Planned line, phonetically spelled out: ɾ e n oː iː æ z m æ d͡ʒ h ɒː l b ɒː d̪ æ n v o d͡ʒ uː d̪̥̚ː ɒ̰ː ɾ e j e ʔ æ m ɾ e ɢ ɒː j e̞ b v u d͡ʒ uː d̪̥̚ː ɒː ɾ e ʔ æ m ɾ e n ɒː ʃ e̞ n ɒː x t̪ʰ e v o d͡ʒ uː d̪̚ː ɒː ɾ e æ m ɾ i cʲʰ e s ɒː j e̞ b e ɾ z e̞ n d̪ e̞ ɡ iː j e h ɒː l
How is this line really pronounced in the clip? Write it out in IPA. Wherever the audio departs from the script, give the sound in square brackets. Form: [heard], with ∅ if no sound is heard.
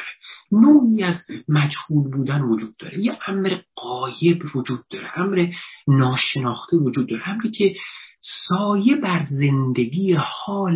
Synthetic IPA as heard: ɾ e n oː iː æ z m æ d͡ʒ h [uː] l b [uː] d̪ æ n v o d͡ʒ uː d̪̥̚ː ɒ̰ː ɾ e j e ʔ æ m ɾ e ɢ ɒː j e̞ b v [o] d͡ʒ uː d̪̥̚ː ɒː ɾ e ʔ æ m ɾ e n ɒː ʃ e̞ n ɒː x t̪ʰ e v o d͡ʒ uː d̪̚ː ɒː ɾ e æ m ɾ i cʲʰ e s ɒː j e̞ b [æ] ɾ z e̞ n d̪ e̞ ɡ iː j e h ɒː l